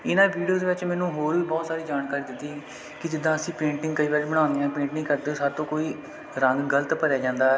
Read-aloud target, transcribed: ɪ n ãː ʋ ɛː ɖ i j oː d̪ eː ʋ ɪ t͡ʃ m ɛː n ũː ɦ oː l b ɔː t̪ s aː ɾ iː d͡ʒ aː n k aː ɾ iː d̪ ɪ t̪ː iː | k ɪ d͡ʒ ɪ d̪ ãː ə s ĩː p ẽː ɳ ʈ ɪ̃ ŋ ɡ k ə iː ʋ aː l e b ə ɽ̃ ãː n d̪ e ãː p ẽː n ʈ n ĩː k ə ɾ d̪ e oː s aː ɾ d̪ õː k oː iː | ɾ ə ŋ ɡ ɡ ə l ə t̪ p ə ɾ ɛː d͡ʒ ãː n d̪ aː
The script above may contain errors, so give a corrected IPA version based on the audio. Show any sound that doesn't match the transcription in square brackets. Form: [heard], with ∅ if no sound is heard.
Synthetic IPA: ɪ n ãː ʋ [iː] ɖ i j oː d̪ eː ʋ ɪ t͡ʃ m ɛː n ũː ɦ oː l b ɔː t̪ s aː ɾ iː d͡ʒ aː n k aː ɾ iː d̪ ɪ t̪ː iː | k ɪ d͡ʒ ɪ d̪ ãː ə s ĩː p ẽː ɳ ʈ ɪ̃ ŋ ɡ k ə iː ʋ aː [ɾ] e b ə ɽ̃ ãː n d̪ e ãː p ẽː [ɳ] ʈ n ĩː k ə ɾ d̪ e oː s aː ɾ [t̪] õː k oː iː | ɾ ə ŋ ɡ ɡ ə l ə t̪ p ə ɾ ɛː d͡ʒ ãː n d̪ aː